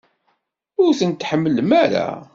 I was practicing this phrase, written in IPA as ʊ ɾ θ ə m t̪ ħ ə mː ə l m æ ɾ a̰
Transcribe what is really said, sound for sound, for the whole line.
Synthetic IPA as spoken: ʊ ɾ θ ə n t̪ ħ ə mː ə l m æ ɾ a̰

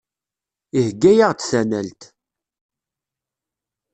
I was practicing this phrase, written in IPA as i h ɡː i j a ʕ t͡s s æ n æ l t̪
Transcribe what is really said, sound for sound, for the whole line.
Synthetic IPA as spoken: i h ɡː æ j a ʁ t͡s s æ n æ l t̪

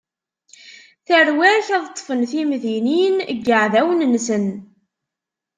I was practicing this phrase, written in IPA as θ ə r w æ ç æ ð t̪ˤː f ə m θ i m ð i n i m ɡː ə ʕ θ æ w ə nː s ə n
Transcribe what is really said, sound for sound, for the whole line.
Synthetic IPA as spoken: θ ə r w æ ç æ ð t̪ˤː f ə n θ i m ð i n i n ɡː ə ʕ ð æ w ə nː s ə n

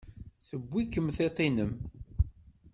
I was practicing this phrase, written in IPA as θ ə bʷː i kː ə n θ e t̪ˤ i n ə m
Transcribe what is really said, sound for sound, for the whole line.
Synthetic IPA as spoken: θ ə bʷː i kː ə m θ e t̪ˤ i n ə m

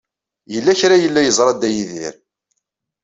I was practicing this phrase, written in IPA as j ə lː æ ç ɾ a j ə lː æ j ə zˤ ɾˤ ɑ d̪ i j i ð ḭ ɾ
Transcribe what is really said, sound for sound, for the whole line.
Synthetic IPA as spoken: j ə lː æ ç ɾ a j ə lː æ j ə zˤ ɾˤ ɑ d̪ æ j i ð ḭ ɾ

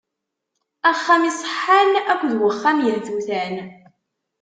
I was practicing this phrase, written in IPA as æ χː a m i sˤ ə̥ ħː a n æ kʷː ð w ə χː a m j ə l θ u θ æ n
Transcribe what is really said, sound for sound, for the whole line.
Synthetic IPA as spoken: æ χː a m i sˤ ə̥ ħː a n æ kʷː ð w ə χː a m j ə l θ u θ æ n

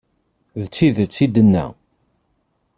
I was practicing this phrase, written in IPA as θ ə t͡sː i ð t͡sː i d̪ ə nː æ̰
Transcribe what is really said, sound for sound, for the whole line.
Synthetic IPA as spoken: ð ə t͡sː i ð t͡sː i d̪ ə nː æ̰

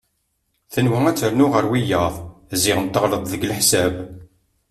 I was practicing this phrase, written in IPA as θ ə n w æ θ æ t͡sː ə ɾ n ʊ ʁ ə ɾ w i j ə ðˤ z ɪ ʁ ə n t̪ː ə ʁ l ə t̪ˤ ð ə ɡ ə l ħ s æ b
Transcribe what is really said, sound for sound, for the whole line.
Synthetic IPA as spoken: θ ə n w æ æ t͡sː ə ɾ n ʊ ʁ ə ɾ w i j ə ðˤ z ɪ ʁ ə n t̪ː ə ʁ l ə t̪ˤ ð ə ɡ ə l ħ s æ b

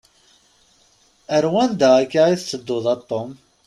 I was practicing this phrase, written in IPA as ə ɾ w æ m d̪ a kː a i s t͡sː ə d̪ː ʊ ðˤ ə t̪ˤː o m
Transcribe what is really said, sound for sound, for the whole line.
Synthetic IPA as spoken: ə ɾ w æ n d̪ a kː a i θ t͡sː ə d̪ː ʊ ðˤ ɑ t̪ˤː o m

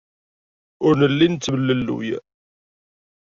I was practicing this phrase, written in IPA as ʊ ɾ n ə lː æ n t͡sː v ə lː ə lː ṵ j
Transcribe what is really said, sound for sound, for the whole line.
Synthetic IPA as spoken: ʊ ɾ n ə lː i n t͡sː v ə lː ə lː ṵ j

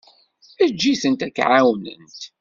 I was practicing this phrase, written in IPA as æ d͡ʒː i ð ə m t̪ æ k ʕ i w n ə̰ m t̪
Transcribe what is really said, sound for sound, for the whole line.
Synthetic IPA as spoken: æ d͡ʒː i θ ə n t̪ æ k ʕ a w n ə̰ n t̪

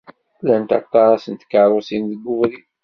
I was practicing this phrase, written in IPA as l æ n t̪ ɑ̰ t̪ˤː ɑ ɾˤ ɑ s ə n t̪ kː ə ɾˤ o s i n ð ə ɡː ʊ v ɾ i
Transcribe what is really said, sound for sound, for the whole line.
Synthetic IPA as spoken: l æ n t̪ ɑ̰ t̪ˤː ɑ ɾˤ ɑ s ə n t̪ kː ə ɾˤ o s i n ð ə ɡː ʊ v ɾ i

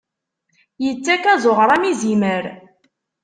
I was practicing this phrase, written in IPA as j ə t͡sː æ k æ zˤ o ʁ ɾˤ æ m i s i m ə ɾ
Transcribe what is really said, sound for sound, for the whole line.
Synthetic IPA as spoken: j ə t͡sː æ k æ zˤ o ʁ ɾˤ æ m i z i m ə ɾ

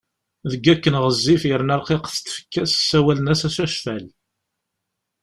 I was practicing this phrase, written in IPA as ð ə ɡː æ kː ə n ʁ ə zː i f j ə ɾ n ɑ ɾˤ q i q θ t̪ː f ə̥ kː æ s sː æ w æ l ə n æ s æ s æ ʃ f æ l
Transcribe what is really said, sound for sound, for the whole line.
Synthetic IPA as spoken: ð ə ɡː æ kː ə n ʁ ə zː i f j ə ɾ n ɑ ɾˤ q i q θ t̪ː f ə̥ kː æ s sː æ w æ l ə n æ s æ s æ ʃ f æ l

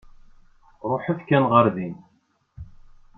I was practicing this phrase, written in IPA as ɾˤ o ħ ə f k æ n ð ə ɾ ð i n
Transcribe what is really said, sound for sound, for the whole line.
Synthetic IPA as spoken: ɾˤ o ħ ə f k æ n ʁ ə ɾ ð i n

